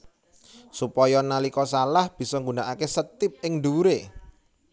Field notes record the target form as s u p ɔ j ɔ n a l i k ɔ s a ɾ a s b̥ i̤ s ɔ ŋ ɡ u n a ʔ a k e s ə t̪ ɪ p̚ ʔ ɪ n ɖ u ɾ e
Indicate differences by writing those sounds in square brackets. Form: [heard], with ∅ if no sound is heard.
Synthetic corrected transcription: s u p ɔ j ɔ n a l i k ɔ s a [l] a [h] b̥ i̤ s ɔ ŋ ɡ u n a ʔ a k e s ə t̪ ɪ p̚ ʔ ɪ [ŋ] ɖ u ɾ e